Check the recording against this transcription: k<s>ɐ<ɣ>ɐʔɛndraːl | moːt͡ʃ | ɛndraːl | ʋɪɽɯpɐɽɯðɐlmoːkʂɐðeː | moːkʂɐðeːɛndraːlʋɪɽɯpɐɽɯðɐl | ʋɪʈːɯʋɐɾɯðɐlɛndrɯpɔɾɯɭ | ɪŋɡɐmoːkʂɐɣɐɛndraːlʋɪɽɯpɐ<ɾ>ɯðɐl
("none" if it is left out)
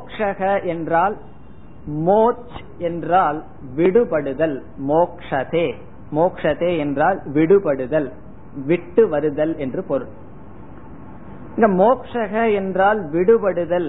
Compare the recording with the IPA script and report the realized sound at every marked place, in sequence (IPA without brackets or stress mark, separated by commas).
ʂ, ɣ, ɽ